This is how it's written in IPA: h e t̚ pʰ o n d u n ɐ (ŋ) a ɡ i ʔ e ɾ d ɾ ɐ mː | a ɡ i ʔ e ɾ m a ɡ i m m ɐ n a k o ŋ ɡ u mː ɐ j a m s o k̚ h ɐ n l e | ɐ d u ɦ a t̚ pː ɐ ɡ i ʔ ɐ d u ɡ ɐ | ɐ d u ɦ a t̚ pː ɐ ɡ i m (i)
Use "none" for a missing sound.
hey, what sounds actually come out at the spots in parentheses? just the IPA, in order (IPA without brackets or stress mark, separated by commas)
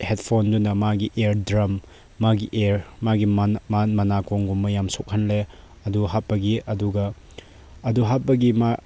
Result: m, a